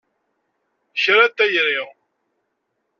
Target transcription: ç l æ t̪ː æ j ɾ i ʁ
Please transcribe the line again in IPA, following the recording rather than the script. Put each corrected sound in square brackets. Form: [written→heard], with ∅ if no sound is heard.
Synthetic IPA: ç [l→ɾ] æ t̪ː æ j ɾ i ʁ